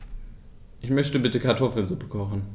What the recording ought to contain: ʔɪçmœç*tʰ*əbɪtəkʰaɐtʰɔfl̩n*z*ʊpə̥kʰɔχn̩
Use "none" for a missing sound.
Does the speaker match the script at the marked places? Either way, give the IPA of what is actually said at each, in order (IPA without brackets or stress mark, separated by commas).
t, z